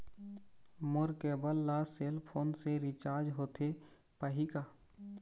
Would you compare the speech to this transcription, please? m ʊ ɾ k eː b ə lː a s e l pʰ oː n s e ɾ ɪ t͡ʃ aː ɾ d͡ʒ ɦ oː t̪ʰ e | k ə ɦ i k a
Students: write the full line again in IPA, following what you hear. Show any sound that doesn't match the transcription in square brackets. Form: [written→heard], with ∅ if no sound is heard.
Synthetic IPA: m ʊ ɾ k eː b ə lː a s e l pʰ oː n s e ɾ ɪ t͡ʃ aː ɾ d͡ʒ ɦ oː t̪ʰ e | [k→p] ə ɦ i k a